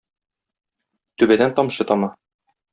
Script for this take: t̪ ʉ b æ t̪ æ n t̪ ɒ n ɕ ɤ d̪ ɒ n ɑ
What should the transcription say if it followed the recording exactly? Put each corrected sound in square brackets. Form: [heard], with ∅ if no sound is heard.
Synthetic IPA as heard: t̪ ʉ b æ [d̪] æ n t̪ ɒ [m] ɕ ɤ [t̪] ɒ [m] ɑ

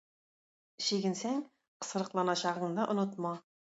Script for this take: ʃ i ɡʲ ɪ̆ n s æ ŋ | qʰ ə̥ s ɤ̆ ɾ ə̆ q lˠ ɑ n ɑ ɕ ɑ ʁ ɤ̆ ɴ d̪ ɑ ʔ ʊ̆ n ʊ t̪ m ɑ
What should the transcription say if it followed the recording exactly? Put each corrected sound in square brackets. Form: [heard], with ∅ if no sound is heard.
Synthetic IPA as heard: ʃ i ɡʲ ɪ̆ n s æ ŋ | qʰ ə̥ s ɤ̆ ɾ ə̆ q lˠ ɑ n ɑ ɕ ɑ ʁ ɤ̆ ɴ d̪ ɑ ʔ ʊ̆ n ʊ t̪ m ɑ

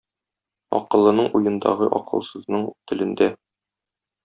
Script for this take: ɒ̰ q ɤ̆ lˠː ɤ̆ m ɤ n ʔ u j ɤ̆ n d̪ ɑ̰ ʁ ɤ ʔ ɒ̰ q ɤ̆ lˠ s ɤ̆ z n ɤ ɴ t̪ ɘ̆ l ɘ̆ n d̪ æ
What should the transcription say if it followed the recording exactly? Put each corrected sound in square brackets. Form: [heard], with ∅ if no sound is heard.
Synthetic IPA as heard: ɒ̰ q ɤ̆ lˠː ɤ̆ [n] ɤ [ɴ] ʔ u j ɤ̆ n d̪ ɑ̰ ʁ ɤ ʔ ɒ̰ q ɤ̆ lˠ s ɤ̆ z n ɤ ɴ t̪ ɘ̆ l ɘ̆ n d̪ æ

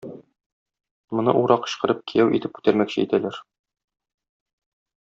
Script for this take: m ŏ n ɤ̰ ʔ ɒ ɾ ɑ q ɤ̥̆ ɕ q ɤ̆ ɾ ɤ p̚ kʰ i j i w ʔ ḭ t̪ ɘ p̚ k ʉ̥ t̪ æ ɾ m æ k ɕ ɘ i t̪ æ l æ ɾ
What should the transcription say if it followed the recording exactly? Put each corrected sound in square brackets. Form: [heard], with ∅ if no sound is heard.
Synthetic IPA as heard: m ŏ n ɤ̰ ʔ [u] ɾ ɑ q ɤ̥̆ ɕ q ɤ̆ ɾ ɤ p̚ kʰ i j [æ] w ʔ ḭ t̪ ɘ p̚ k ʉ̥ t̪ æ ɾ m æ k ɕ ɘ i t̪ æ l æ ɾ

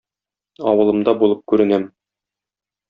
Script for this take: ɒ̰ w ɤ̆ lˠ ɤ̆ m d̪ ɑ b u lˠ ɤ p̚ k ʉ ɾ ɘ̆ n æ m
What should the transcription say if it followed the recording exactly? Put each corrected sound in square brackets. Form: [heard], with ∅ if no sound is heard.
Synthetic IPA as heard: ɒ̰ w ɤ̆ lˠ ɤ̆ m d̪ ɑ b u lˠ ɤ p̚ k ʉ ɾ ɘ̆ n æ m

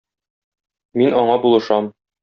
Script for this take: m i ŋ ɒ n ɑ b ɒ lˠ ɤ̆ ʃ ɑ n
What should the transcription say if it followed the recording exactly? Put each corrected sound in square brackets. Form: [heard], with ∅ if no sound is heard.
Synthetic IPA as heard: m i [n] ɒ [ɴ] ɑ b [u] lˠ ɤ̆ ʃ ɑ [m]

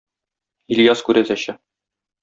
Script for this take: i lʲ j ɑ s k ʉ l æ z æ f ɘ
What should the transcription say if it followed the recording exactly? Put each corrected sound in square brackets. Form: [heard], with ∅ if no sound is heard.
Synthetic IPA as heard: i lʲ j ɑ s k ʉ [ɾ] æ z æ [ɕ] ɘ

